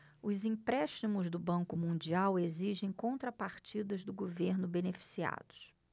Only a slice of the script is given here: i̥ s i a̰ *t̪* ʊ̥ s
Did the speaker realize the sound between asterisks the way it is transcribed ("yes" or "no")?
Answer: no